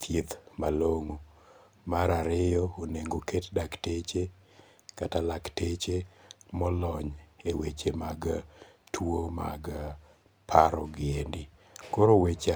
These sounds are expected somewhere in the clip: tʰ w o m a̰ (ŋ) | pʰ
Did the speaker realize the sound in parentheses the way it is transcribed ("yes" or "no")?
no